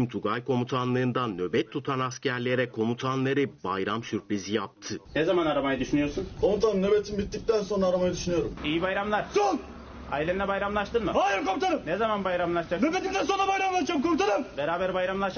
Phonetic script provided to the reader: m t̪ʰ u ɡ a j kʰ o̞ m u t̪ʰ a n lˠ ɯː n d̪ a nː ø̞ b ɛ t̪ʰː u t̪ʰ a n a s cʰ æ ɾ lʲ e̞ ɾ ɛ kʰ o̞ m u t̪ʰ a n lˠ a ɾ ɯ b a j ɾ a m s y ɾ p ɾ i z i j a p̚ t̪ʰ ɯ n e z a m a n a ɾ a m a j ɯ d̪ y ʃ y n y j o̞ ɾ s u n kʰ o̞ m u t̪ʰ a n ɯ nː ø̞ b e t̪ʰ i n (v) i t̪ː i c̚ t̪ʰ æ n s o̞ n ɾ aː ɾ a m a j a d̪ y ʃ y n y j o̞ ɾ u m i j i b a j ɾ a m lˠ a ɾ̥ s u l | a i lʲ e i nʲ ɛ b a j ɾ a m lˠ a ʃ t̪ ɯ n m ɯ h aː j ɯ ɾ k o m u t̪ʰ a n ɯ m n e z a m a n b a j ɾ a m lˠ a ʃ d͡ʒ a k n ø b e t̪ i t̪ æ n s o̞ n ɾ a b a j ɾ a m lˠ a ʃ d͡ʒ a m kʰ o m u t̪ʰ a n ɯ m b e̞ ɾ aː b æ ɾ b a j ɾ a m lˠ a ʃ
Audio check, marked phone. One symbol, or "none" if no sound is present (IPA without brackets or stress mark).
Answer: b